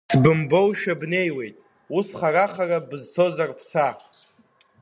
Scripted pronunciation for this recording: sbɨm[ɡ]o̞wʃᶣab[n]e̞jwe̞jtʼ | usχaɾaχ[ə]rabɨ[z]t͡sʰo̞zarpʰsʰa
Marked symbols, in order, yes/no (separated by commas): no, yes, no, yes